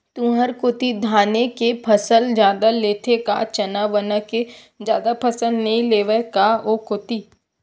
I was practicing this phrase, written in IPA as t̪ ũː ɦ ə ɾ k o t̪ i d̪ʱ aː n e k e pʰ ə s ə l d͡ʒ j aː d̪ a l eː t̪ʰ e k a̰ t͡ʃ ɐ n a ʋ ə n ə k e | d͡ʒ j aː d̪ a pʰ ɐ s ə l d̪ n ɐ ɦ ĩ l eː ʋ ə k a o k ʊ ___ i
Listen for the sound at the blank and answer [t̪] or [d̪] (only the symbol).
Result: t̪